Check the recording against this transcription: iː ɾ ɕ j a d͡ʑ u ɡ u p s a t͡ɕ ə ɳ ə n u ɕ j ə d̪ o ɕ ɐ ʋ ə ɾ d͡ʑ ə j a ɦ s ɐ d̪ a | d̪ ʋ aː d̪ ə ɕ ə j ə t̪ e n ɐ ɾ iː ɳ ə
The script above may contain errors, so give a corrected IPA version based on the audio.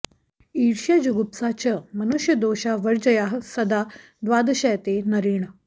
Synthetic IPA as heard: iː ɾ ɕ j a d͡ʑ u ɡ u p s a t͡ɕ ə m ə n u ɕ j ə d̪ o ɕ a ʋ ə ɾ d͡ʑ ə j a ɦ s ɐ d̪ a | d̪ ʋ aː d̪ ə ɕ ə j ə t̪ e n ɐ ɾ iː ɳ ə